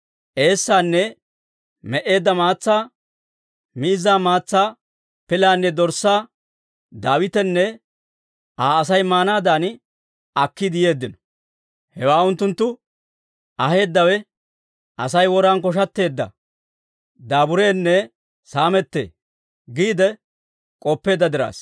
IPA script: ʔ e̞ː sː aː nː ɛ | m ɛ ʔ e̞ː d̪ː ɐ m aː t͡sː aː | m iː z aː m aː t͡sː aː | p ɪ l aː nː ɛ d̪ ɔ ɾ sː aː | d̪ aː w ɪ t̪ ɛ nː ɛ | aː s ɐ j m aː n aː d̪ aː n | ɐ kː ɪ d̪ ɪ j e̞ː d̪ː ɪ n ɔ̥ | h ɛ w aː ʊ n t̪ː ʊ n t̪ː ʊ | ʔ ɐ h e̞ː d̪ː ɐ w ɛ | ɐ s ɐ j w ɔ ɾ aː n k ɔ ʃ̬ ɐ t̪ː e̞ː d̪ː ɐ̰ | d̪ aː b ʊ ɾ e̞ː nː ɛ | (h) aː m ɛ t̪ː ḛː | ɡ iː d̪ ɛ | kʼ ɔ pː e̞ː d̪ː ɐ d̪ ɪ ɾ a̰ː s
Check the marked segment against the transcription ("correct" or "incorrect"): incorrect